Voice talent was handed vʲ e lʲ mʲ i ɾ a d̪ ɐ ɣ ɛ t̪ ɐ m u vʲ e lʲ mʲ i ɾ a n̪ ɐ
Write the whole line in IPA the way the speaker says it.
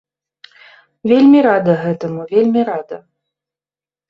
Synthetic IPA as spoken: vʲ e lʲ mʲ i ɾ a d̪ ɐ ɣ ɛ t̪ ɐ m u vʲ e lʲ mʲ i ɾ a d̪ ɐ